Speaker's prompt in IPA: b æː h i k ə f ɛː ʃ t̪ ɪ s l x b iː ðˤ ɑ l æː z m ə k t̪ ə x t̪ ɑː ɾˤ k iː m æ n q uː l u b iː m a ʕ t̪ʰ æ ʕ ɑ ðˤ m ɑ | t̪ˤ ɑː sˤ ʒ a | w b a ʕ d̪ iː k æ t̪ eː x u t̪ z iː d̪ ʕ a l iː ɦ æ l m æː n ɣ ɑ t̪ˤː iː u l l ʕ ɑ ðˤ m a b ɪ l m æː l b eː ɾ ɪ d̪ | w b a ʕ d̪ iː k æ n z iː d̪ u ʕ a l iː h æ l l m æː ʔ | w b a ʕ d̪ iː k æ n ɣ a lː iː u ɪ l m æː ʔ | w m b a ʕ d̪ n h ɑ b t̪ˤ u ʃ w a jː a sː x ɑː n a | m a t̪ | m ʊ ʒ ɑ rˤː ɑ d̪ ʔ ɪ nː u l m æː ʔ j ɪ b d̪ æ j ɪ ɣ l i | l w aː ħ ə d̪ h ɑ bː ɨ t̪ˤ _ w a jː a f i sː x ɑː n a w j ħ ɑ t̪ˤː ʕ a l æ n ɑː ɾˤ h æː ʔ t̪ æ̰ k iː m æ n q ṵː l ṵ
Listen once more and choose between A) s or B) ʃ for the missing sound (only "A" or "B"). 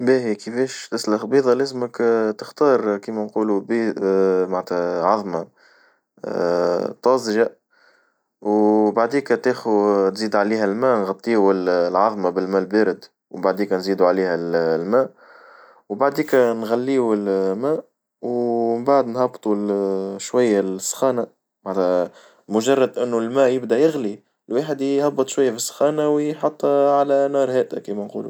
B